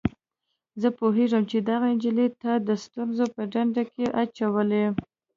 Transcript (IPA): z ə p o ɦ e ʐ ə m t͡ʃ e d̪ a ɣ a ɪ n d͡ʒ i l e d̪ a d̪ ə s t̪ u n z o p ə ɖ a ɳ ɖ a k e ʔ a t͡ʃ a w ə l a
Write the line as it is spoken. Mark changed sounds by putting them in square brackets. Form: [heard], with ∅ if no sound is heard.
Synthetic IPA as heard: z ə p o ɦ e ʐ ə m t͡ʃ e d̪ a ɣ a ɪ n d͡ʒ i l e [t̪] a d̪ ə s t̪ u n z o p ə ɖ a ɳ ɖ a k e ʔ a t͡ʃ a w ə l [e]